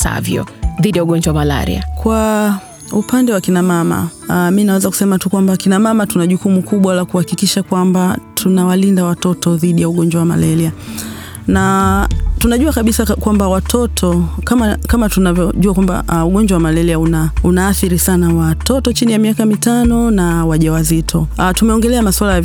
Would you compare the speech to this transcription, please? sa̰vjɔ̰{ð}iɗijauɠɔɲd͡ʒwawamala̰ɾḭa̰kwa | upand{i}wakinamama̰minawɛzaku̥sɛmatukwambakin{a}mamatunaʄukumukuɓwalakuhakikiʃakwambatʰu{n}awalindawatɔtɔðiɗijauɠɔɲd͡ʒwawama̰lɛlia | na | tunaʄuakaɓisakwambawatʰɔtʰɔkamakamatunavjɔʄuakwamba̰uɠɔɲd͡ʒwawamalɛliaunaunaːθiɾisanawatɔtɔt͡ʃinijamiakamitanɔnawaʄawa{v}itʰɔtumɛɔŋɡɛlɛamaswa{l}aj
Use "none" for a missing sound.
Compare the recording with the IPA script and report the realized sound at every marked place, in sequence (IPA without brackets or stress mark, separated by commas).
ð, ɛ, a, n, z, l